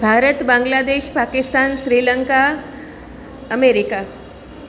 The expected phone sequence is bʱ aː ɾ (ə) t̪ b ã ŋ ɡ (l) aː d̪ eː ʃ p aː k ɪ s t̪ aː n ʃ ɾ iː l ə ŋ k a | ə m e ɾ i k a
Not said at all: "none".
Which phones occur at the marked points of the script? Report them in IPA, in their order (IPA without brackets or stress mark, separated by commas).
ə, l